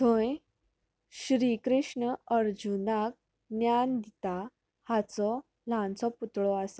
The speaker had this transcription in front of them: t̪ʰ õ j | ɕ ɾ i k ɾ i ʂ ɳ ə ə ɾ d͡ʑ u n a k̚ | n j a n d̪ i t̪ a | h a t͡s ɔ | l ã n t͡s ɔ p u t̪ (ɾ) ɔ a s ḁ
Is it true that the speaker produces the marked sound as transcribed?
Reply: no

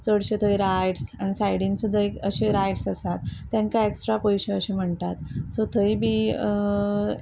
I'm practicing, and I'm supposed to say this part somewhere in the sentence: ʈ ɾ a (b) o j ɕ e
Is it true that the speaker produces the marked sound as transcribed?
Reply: no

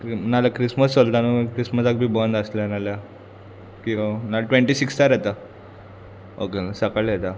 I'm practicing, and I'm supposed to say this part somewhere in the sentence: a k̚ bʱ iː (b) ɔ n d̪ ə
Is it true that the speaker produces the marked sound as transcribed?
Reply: yes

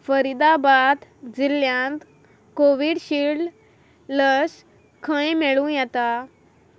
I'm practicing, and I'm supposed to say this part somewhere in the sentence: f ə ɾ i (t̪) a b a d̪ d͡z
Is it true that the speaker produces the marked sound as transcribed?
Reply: no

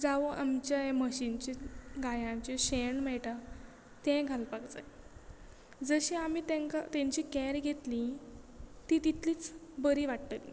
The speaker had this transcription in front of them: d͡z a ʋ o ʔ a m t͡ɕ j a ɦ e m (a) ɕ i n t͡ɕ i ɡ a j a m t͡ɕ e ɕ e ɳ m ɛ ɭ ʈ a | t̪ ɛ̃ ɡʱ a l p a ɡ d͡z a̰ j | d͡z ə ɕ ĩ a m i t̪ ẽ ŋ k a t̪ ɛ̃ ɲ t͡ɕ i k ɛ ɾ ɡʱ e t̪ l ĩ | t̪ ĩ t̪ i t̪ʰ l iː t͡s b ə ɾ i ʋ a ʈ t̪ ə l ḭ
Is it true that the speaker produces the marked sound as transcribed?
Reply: no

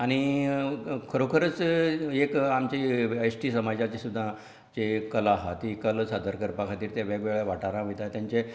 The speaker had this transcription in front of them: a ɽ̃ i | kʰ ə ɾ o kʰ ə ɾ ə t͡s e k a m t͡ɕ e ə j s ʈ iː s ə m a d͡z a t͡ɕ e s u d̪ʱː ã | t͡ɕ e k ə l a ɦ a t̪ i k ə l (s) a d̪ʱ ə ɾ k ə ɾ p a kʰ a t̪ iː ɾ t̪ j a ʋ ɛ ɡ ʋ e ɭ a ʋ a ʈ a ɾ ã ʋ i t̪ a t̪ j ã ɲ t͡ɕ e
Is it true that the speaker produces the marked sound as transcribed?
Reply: yes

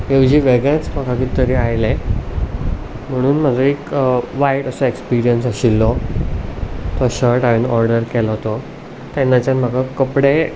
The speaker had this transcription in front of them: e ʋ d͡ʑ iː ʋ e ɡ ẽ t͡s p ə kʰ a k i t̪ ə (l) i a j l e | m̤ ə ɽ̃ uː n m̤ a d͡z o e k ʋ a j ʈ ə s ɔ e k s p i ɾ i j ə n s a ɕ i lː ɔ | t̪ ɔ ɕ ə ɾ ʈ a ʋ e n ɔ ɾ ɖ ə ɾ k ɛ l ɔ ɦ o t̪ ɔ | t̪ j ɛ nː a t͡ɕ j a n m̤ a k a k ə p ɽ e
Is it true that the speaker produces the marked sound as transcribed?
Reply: no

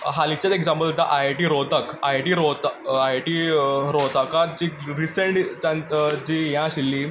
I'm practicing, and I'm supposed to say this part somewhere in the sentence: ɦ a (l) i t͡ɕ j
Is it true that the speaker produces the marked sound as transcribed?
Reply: yes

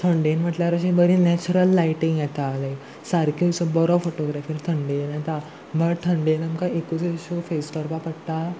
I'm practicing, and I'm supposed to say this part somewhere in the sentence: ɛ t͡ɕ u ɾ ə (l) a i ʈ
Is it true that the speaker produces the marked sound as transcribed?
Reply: no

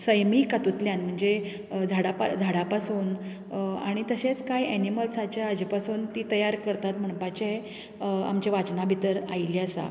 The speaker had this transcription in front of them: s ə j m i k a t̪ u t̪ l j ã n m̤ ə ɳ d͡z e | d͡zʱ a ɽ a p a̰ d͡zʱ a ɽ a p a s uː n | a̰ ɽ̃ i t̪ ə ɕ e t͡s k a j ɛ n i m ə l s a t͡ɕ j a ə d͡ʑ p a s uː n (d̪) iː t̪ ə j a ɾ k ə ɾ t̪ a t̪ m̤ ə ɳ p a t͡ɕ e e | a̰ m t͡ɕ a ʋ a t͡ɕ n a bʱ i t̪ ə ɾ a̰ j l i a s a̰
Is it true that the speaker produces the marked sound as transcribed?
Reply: no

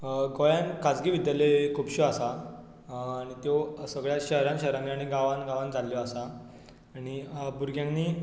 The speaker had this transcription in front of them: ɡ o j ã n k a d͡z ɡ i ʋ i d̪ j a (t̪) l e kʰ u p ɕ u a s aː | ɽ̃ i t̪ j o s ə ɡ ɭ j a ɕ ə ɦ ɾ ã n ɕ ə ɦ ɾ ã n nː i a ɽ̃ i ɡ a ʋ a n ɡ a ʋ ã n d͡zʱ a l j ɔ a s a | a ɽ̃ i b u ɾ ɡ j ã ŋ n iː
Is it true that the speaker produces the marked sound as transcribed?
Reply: no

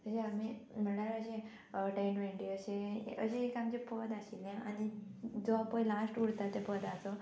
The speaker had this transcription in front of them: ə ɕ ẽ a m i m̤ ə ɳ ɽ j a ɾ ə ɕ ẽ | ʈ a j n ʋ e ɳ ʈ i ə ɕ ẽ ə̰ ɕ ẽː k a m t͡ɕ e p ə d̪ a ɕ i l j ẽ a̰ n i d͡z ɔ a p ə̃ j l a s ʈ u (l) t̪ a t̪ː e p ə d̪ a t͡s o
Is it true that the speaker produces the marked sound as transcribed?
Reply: no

